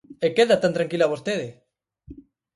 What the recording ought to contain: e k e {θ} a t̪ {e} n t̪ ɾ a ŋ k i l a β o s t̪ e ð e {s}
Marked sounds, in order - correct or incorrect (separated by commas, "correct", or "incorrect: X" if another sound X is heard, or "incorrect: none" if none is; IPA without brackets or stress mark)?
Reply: incorrect: ð, incorrect: a, incorrect: none